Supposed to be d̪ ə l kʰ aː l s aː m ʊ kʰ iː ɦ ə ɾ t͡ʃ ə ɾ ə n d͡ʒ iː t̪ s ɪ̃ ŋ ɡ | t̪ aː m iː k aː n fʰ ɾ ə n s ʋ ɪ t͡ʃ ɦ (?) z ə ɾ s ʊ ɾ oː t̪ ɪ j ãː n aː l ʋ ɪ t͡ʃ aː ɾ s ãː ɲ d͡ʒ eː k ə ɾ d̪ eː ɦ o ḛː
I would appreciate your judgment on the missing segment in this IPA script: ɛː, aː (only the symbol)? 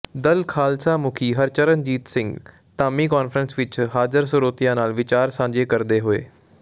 aː